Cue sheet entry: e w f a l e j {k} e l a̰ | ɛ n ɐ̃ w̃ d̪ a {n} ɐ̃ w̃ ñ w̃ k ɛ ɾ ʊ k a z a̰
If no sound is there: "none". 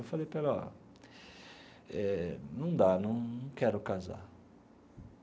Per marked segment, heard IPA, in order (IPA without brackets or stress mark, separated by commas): p, n